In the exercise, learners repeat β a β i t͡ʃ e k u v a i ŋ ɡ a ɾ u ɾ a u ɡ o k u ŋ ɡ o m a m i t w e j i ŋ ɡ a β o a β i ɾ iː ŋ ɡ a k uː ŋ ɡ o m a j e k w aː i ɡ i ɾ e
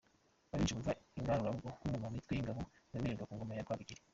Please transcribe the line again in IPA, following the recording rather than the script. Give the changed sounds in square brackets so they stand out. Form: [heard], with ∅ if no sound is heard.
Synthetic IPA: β a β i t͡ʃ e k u v a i ŋ ɡ a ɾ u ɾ a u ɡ o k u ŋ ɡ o m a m i t w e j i ŋ ɡ a β o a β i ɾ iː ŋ ɡ a k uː ŋ ɡ o m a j [a] k w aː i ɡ i ɾ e